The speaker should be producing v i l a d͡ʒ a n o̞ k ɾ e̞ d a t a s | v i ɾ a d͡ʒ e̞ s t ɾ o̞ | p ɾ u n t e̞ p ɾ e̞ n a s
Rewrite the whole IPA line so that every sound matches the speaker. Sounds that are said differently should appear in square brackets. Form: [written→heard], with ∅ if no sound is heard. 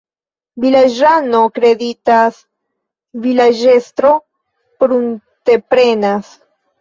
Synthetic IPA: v i l a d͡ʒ a n o̞ k ɾ e̞ d [a→i] t a s | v i [ɾ→l] a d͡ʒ e̞ s t ɾ o̞ | p ɾ u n t e̞ p ɾ e̞ n a s